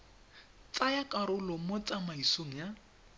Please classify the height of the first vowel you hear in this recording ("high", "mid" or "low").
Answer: low